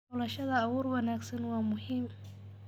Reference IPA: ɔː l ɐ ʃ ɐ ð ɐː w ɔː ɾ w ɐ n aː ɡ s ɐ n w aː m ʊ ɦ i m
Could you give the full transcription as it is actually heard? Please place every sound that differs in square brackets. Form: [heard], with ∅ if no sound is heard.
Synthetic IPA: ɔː l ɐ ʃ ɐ ð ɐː w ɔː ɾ w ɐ n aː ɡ s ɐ n w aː m ʊ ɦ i m